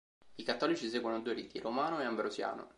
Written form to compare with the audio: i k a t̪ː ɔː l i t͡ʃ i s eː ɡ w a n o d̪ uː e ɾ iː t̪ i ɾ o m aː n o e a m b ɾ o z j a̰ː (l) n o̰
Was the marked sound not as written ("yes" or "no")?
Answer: yes